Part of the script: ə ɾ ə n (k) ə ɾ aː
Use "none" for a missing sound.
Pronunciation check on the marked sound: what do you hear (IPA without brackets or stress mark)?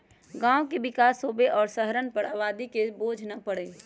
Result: p